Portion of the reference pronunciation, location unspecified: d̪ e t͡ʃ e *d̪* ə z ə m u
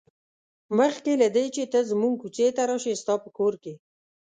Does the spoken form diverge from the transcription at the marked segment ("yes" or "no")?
yes